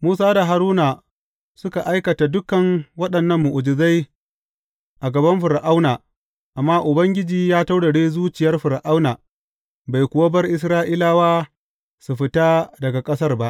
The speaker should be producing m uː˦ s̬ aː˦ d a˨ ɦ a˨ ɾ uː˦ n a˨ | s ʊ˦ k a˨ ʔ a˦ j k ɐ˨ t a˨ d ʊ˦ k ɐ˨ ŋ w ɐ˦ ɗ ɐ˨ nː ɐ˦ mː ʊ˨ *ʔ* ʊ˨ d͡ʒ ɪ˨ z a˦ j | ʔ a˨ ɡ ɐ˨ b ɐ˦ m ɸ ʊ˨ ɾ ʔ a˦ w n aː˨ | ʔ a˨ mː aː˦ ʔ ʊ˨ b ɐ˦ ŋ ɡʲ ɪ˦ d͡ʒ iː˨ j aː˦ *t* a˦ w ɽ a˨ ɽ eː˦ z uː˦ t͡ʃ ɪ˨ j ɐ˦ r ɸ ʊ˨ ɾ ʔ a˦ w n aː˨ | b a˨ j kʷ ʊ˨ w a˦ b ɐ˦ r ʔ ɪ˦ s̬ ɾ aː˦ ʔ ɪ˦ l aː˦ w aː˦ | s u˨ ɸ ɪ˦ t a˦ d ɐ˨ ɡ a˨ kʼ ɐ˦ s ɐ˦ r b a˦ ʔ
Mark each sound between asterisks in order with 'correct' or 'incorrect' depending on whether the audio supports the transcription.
correct, correct

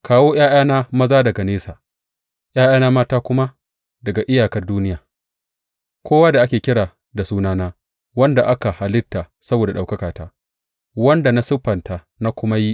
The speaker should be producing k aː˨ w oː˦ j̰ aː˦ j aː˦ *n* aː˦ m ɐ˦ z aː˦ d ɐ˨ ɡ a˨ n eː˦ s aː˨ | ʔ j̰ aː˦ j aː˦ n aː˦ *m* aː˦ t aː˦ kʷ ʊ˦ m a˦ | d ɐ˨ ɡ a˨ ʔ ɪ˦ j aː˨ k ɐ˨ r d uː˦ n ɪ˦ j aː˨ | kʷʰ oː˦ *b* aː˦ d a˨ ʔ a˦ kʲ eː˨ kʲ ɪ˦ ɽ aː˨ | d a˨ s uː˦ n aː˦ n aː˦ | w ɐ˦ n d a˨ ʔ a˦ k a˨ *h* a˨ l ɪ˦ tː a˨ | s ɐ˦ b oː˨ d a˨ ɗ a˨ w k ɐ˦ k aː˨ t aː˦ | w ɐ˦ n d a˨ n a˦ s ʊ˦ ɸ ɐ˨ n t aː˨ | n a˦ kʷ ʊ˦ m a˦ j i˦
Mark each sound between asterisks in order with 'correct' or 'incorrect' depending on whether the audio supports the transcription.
correct, correct, incorrect: w, correct

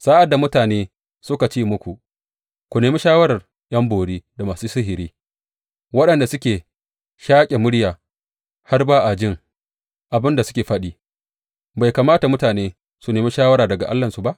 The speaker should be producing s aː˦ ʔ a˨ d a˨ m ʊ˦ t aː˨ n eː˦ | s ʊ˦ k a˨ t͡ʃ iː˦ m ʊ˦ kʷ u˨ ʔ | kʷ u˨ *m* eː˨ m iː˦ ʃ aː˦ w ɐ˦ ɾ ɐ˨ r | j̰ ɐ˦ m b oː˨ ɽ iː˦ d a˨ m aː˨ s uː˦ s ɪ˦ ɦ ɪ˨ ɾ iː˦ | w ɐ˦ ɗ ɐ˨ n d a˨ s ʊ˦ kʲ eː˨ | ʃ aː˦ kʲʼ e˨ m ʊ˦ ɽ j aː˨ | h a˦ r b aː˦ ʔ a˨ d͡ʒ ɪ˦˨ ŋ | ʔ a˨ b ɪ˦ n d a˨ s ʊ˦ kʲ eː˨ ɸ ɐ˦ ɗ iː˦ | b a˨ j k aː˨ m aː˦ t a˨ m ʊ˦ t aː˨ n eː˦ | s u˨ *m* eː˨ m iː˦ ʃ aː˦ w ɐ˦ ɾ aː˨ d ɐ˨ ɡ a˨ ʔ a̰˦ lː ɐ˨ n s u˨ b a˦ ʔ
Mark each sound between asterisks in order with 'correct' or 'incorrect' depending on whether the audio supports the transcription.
incorrect: n, incorrect: n

